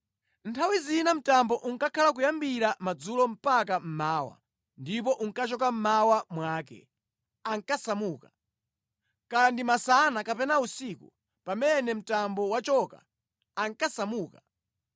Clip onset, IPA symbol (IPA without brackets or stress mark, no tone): n